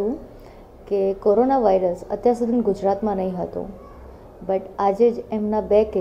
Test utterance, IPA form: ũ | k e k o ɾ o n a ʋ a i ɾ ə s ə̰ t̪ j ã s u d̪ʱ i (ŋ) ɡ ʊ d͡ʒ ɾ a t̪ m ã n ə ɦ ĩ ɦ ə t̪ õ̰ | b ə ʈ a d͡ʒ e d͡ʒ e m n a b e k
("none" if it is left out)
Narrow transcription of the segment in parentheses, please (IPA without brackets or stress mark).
n